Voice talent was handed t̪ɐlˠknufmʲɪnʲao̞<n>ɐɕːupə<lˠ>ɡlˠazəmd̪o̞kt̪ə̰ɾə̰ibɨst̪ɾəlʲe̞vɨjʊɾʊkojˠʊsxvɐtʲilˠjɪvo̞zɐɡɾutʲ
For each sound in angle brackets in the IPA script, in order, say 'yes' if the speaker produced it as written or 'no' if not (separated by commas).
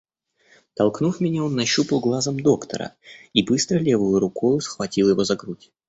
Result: no, yes